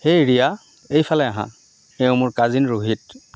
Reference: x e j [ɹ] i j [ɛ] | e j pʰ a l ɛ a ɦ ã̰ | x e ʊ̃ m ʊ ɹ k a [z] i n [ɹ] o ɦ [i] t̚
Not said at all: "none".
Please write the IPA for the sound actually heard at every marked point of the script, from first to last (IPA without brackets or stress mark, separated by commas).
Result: ɹ, a, z, ɹ, i